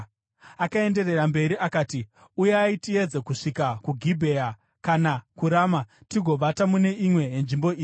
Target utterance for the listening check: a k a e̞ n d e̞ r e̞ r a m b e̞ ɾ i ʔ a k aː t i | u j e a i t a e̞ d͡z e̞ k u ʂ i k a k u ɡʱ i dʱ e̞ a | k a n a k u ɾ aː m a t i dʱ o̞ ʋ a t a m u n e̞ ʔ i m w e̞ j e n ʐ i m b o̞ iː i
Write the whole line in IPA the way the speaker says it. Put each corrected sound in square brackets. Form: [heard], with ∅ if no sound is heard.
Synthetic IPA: a k a e̞ n d e̞ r e̞ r a m b e̞ ɾ i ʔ a k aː t i | u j e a i t [i] e̞ d͡z e̞ k u ʂ i k a k u ɡʱ i [bʱ] e̞ a | k a n a k u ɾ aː m a t i [ɡʱ] o̞ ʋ a t a m u n e̞ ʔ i m w e̞ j e n ʐ i m b o̞ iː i

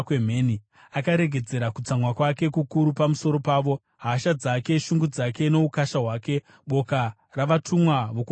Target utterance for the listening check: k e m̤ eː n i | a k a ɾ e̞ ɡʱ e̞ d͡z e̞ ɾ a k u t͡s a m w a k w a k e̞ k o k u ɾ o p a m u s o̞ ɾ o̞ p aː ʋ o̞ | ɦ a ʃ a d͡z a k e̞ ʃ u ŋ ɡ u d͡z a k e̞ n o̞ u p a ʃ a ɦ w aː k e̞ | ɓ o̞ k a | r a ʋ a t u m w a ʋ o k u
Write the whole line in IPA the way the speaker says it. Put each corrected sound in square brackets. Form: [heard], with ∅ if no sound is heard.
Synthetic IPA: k e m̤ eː n i | a k a ɾ e̞ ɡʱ e̞ d͡z e̞ ɾ a k u t͡s a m w a k w a k e̞ k [u] k u ɾ [u] p a m u s o̞ ɾ o̞ p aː ʋ o̞ | ɦ a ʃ a d͡z a k e̞ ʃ u ŋ ɡ u d͡z a k e̞ n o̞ u [k] a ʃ a ɦ w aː k e̞ | ɓ o̞ k a | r a ʋ a t u m w a ʋ o k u

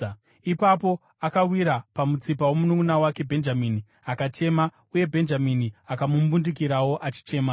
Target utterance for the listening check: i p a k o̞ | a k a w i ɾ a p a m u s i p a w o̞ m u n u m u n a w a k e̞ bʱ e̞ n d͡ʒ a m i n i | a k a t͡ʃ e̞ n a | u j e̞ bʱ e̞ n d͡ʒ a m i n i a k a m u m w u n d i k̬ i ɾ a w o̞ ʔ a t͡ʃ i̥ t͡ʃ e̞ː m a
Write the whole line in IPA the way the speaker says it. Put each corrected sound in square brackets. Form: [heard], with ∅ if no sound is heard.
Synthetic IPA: i p a [p] o̞ | a k a w i ɾ a p a m u [t͡s] i p a w o̞ m u n u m u n a w a k e̞ bʱ e̞ n d͡ʒ a m i n i | a k a t͡ʃ e̞ [m] a | u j e̞ bʱ e̞ n d͡ʒ a m i n i a k a m u m [b] u n d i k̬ i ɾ a w o̞ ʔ a t͡ʃ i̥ t͡ʃ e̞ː m a

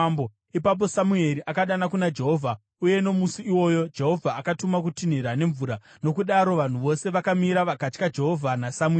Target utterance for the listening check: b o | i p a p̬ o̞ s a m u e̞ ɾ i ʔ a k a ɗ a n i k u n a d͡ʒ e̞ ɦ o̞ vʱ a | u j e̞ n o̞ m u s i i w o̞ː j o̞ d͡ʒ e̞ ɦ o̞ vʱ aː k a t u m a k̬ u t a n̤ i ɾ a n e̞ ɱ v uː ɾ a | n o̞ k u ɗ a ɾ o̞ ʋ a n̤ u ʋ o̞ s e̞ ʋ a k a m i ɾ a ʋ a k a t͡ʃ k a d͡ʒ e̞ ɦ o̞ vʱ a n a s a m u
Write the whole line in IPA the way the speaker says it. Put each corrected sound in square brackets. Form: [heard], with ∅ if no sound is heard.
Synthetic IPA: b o | i p a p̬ o̞ s a m u e̞ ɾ i ʔ a k a ɗ a n [a] k u n a d͡ʒ e̞ ɦ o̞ vʱ a | u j e̞ n o̞ m u s i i w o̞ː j o̞ d͡ʒ e̞ ɦ o̞ vʱ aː k a t u m a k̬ u t [i] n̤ i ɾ a n e̞ ɱ v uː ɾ a | n o̞ k u ɗ a ɾ o̞ ʋ a n̤ u ʋ o̞ s e̞ ʋ a k a m i ɾ a ʋ a k a t͡ʃ k a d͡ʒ e̞ ɦ o̞ vʱ a n a s a m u

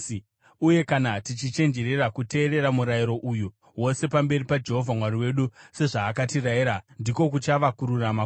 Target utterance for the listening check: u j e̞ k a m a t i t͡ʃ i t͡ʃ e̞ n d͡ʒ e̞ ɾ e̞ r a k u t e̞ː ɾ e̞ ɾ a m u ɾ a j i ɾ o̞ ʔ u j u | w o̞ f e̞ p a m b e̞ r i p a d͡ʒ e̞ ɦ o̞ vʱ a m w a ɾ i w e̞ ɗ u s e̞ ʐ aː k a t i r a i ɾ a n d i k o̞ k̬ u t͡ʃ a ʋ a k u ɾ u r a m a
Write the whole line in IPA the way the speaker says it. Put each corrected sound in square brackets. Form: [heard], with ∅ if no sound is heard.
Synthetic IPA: u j e̞ k a [n] a t i t͡ʃ i t͡ʃ e̞ n d͡ʒ e̞ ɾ e̞ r a k u t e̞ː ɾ e̞ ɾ a m u ɾ a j i ɾ o̞ ʔ u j u | w o̞ [s] e̞ p a m b e̞ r i p a d͡ʒ e̞ ɦ o̞ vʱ a m w a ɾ i w e̞ ɗ u s e̞ ʐ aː k a t i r a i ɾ a n d i k o̞ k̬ u t͡ʃ a ʋ a k u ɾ u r a m a

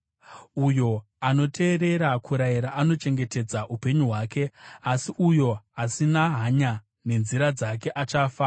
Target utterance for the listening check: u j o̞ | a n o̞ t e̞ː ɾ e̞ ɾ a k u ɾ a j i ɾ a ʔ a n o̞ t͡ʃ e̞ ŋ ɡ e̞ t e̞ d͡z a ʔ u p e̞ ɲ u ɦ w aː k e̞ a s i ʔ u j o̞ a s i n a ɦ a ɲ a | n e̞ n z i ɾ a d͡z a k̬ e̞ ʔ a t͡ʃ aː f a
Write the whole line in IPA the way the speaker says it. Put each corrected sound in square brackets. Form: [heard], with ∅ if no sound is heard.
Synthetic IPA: u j o̞ | a n o̞ t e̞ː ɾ e̞ ɾ a k u ɾ a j i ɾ a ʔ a n o̞ t͡ʃ e̞ ŋ ɡ e̞ t e̞ d͡z a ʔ u p e̞ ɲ u ɦ w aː k e̞ a s i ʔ u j o̞ a s i n a ɦ a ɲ a | n e̞ n z i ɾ a d͡z a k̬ e̞ ʔ a t͡ʃ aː f a

